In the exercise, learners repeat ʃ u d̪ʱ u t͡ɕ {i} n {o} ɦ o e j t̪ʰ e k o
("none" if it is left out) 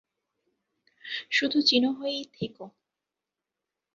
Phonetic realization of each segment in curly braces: i, o

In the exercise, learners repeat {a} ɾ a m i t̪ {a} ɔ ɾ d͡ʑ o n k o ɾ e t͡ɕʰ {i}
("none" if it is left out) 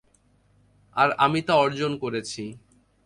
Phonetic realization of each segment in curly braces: a, a, i

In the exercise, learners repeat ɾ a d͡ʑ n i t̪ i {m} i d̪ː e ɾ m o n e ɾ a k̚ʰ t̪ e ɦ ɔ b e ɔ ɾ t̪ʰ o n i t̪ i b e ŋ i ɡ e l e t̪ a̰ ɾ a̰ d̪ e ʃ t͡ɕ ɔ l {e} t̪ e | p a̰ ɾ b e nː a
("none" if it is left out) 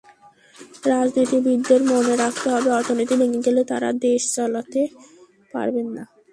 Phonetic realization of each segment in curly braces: b, a

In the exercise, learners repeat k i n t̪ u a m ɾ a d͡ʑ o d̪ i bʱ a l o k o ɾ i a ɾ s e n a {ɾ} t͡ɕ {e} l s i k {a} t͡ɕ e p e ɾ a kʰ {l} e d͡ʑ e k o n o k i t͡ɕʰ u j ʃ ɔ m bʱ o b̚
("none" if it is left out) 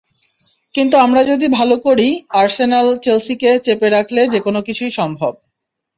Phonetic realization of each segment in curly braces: l, e, e, l

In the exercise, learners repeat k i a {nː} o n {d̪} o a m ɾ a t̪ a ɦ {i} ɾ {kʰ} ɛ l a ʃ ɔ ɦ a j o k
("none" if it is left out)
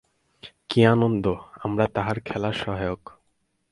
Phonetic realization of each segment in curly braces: n, d̪, a, kʰ

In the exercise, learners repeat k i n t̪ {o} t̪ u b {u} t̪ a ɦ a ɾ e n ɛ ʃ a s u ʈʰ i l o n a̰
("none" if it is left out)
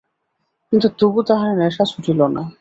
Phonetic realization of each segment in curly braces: u, u

